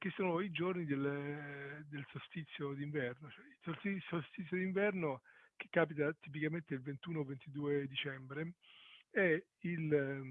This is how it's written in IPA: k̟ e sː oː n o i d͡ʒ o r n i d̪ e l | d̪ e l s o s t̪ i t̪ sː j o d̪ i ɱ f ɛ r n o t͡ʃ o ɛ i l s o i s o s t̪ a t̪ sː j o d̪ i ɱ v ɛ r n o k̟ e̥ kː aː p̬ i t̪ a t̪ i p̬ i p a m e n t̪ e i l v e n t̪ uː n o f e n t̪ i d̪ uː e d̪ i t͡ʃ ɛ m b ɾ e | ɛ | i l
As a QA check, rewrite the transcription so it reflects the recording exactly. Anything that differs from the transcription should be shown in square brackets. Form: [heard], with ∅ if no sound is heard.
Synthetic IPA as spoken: k̟ e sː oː n o i d͡ʒ o r n i d̪ e l | d̪ e l s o s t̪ i t̪ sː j o d̪ i ɱ [v] ɛ r n o t͡ʃ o ɛ i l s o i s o s t̪ [i] t̪ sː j o d̪ i ɱ v ɛ r n o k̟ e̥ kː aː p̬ i t̪ a t̪ i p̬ i [k] a m e n t̪ e i l v e n t̪ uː n o [v] e n t̪ i d̪ uː e d̪ i t͡ʃ ɛ m b ɾ e | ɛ | i l

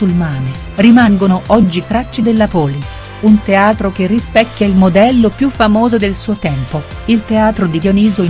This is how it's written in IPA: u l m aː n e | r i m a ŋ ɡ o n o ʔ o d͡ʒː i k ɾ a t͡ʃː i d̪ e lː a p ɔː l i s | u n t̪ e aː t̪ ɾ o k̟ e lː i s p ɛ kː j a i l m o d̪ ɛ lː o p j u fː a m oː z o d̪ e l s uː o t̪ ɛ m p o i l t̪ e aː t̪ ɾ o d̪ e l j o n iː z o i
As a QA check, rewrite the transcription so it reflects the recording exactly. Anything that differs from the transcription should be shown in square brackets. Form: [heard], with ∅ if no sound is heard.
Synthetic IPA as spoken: u l m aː n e | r i m a ŋ ɡ o n o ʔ [ɔ] d͡ʒː i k ɾ a t͡ʃː i d̪ e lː a p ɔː l i s | u n t̪ e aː t̪ ɾ o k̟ e [rː] i s p ɛ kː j a i l m o d̪ ɛ lː o p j u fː a m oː z o d̪ e l s uː o t̪ ɛ m p o i l t̪ e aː t̪ ɾ o d̪ [i] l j o n iː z o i

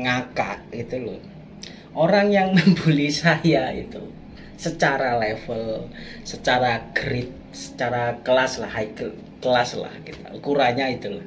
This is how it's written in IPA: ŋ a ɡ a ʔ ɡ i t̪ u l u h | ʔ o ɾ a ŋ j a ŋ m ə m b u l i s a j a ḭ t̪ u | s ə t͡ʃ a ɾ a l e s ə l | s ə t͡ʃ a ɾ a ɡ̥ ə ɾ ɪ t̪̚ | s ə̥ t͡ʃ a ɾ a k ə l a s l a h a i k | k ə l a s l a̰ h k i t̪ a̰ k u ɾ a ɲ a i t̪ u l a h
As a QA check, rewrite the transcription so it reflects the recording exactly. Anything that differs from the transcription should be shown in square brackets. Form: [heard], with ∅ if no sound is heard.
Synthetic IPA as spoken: ŋ a [k] a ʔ ɡ i t̪ u l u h | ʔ o ɾ a ŋ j a ŋ m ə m b u l i s a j a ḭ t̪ u | s ə t͡ʃ a ɾ a l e [f] ə l | s ə t͡ʃ a ɾ a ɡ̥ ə ɾ ɪ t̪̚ | s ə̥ t͡ʃ a ɾ a k ə l a s l a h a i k | k ə l a s l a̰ h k i t̪ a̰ k u ɾ a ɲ a i t̪ u l a h

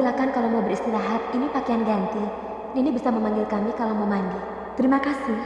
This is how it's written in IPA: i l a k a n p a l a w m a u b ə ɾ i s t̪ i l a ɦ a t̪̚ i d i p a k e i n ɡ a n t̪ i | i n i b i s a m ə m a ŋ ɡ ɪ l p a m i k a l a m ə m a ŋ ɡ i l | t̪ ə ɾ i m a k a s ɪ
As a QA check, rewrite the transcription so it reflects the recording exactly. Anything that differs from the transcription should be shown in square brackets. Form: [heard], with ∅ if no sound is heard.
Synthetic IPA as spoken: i l a k a n [k] a l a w m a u b ə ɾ i s t̪ i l a ɦ a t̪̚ i [n] i p a k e [a] n ɡ a n t̪ i | i n i b i s a m ə m a ŋ ɡ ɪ l [k] a m i k a l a m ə m a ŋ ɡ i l | t̪ ə ɾ i m a k a s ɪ

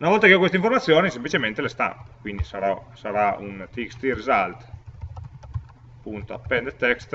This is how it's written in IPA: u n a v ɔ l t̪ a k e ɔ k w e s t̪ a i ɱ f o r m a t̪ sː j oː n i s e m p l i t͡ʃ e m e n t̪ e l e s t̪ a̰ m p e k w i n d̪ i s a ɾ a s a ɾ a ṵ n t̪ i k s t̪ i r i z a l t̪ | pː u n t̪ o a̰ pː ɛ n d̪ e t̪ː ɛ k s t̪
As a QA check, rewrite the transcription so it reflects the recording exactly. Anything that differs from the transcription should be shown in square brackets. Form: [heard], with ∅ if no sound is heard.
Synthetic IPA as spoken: u n a v ɔ l t̪ a k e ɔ k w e s t̪ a i ɱ f o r m a t̪ sː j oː n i s e m p l i t͡ʃ e m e n t̪ e l e s t̪ a̰ m p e k w i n d̪ i s a ɾ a s a ɾ a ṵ n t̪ i k s t̪ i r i z a l t̪ | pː u n t̪ o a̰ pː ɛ n d̪ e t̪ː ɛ k s t̪

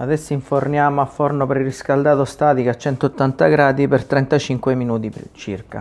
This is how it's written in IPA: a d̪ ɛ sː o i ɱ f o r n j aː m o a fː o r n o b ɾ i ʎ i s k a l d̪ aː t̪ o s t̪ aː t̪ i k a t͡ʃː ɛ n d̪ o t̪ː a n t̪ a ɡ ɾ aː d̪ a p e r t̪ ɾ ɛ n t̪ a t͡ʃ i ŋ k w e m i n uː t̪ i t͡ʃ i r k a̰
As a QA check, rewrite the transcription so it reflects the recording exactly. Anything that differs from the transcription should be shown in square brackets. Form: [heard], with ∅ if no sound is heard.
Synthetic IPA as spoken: a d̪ ɛ sː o i ɱ f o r n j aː m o a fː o r n o [p] ɾ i [r] i s k a l d̪ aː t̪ o s t̪ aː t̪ i k a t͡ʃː ɛ n [t̪] o t̪ː a n t̪ a ɡ ɾ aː d̪ [i] p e r t̪ ɾ ɛ n t̪ a t͡ʃ i ŋ k w e m i n uː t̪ i t͡ʃ i r k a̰

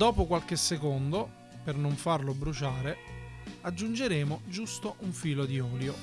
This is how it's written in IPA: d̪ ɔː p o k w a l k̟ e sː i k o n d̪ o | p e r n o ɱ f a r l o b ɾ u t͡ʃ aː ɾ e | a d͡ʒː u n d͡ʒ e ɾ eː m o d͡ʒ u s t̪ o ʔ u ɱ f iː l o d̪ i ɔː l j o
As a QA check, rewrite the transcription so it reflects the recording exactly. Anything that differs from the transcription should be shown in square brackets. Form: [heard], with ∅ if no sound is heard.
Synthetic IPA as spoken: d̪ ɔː p o k w a l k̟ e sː [e] k o n d̪ o | p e r n o ɱ f a r l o b ɾ u t͡ʃ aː ɾ e | a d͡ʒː u n d͡ʒ e ɾ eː m o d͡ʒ u s t̪ o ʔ u ɱ f iː l o d̪ i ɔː l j o

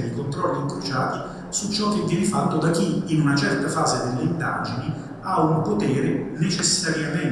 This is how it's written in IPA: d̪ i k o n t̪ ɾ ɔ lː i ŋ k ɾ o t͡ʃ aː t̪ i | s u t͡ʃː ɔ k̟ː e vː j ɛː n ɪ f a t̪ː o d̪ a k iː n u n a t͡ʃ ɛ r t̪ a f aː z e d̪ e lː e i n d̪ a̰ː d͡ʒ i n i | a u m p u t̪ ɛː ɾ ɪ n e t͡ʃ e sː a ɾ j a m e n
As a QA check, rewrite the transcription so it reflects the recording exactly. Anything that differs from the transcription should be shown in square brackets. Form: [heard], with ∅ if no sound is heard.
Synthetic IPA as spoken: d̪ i k o n t̪ ɾ ɔ lː i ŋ k ɾ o t͡ʃ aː t̪ i | s u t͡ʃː ɔ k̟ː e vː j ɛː n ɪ f a t̪ː o d̪ a k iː n u n a t͡ʃ ɛ r t̪ a f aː z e d̪ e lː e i n d̪ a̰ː d͡ʒ i n i | a u m p [o] t̪ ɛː ɾ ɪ n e t͡ʃ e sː a ɾ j a m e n

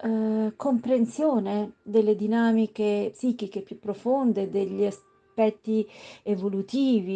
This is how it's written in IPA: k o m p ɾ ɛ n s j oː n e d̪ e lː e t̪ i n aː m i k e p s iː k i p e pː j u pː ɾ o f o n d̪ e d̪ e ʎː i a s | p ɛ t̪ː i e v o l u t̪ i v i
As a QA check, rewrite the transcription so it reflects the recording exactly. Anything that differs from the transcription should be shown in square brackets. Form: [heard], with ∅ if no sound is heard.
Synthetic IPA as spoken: k o m p ɾ [e] n s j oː n e d̪ e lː e [d̪] i n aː m i k e p s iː k i [k] e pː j u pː ɾ o f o n d̪ e d̪ e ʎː i a s | p ɛ t̪ː i e v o l u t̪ [iː] v i

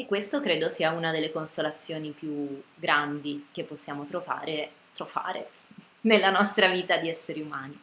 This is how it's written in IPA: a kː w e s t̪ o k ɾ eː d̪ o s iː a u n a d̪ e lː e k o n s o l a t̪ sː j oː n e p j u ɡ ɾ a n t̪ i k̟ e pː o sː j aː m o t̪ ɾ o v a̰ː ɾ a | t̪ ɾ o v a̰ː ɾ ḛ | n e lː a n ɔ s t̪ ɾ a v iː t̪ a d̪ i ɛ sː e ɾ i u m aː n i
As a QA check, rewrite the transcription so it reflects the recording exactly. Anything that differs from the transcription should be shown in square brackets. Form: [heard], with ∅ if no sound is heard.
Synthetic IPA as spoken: [e] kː w e s t̪ o k ɾ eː d̪ o s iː a u n a d̪ e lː e k o n s o l a t̪ sː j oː n [i] p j u ɡ ɾ a n [d̪] i k̟ e pː o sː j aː m o t̪ ɾ o v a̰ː ɾ [e] | t̪ ɾ o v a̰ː ɾ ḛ | n e lː a n ɔ s t̪ ɾ a v iː t̪ a d̪ i ɛ sː e ɾ i u m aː n i

